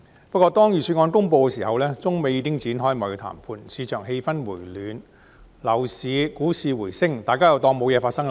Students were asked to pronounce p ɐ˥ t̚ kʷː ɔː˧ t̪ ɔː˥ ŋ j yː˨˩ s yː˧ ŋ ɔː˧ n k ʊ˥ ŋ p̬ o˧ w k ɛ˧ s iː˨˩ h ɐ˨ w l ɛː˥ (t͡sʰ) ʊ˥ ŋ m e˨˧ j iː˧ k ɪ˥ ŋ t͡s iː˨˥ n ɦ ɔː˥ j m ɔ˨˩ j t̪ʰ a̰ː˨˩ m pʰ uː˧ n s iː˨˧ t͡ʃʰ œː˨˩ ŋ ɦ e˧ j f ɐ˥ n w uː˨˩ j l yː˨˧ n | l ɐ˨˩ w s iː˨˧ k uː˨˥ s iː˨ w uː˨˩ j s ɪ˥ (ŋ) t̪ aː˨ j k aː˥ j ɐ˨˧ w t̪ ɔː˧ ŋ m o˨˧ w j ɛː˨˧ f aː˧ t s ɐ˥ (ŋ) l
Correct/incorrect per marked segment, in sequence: incorrect, correct, correct

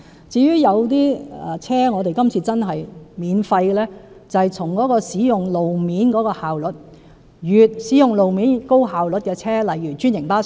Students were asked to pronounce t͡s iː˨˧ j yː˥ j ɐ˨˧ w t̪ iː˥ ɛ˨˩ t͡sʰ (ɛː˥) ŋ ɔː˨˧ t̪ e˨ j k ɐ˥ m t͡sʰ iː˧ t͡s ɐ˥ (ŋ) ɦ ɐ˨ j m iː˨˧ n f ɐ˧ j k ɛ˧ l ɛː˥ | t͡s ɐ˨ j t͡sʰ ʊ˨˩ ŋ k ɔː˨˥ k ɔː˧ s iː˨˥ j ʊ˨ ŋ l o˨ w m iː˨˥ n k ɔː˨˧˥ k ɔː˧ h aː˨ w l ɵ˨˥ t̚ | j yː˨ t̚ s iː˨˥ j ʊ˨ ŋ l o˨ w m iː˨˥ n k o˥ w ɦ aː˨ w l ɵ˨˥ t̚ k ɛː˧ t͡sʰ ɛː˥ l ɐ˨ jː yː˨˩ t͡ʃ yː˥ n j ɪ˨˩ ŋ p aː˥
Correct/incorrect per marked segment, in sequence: correct, incorrect

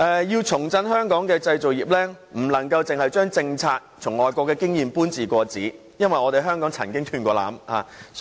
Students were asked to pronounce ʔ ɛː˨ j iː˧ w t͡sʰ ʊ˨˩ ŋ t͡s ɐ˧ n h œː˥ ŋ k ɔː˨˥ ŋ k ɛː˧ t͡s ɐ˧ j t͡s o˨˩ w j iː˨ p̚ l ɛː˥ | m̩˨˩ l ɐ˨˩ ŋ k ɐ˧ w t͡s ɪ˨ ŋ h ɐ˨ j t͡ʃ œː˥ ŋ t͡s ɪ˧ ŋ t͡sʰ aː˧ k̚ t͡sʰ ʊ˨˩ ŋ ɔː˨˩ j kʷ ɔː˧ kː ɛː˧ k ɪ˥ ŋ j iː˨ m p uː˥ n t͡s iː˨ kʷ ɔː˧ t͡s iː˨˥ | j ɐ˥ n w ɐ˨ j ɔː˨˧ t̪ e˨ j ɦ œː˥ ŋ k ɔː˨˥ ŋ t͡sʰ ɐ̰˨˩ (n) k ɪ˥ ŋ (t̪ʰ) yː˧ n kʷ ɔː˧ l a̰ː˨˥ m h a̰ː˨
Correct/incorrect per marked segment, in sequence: correct, correct

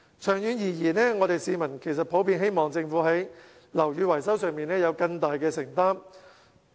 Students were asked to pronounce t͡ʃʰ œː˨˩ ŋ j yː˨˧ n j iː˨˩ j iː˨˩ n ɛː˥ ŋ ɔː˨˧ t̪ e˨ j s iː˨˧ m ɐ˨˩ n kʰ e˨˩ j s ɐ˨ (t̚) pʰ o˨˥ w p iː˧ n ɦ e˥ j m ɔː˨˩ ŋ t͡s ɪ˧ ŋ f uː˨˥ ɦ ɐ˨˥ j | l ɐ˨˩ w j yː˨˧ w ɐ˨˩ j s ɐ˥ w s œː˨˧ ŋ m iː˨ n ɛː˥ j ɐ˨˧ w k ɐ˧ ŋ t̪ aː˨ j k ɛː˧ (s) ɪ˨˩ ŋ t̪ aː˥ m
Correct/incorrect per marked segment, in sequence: correct, correct

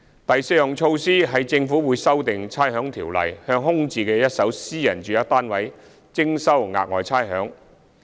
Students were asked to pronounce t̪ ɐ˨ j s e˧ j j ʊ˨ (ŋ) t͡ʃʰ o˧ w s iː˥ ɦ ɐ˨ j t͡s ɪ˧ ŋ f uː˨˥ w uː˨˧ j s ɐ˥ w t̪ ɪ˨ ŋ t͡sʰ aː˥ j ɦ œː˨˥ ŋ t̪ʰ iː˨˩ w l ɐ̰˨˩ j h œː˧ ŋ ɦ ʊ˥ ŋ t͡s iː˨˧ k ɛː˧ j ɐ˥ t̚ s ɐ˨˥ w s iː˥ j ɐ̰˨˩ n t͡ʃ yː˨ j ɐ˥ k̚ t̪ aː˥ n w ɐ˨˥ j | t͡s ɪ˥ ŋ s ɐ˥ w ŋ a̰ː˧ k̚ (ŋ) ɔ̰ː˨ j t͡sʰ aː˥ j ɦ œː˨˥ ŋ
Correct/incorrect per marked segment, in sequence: correct, correct

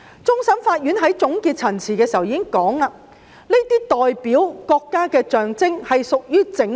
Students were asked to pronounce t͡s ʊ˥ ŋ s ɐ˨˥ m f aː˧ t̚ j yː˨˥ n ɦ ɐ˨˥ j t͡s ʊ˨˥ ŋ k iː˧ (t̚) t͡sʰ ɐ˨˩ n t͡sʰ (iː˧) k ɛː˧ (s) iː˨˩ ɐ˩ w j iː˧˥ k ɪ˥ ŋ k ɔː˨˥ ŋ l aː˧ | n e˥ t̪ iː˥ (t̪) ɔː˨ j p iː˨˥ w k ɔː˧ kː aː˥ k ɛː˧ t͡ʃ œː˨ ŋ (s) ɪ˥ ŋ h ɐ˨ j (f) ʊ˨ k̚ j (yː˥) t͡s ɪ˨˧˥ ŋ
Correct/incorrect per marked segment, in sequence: correct, incorrect, correct, correct, incorrect, incorrect, correct

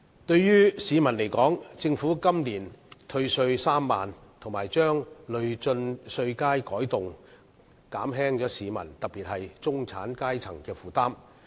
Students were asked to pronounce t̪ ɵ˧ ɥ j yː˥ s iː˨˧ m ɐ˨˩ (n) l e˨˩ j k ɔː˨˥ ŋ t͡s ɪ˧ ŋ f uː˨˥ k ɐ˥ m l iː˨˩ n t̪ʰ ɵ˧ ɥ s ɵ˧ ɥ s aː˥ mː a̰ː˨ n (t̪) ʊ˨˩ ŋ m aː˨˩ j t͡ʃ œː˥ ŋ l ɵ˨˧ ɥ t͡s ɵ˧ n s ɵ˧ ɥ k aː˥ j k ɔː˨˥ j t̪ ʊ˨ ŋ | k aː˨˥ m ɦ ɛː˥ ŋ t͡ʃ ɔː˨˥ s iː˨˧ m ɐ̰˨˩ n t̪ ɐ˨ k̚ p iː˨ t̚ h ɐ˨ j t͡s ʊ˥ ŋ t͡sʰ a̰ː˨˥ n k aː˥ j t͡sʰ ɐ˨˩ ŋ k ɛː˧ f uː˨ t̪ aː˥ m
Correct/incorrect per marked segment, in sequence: correct, incorrect

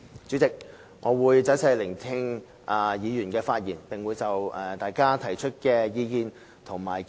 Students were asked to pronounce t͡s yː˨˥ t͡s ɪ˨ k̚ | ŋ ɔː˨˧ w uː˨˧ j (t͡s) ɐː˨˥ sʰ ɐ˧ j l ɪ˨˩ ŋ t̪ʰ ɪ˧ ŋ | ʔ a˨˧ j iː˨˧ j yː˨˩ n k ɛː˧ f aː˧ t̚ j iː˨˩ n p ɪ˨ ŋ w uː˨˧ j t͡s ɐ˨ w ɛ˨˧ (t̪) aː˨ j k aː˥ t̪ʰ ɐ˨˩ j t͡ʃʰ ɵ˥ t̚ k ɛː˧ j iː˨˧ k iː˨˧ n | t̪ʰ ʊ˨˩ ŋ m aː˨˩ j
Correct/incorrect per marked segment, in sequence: correct, correct

